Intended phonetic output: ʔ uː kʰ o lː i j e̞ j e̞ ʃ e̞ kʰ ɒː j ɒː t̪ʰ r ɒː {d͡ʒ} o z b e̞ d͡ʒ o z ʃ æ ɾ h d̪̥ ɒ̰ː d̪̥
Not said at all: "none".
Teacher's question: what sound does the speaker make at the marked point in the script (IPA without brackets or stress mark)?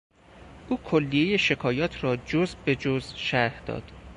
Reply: d͡ʒ